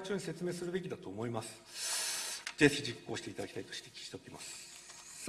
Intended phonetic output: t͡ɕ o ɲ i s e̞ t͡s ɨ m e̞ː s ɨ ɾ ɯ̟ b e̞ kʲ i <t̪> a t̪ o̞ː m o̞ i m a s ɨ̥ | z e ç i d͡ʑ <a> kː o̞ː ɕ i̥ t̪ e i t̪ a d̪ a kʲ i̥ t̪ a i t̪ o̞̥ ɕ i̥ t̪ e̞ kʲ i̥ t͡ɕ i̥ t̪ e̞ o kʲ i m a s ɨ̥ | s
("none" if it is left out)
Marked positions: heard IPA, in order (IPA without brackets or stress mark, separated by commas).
d̪, i